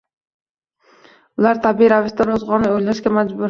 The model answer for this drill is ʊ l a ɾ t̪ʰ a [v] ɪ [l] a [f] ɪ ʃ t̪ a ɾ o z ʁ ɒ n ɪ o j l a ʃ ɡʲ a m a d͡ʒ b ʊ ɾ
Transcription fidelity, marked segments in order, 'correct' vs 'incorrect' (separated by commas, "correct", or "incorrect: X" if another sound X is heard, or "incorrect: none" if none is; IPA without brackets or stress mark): incorrect: b, incorrect: ɾ, incorrect: v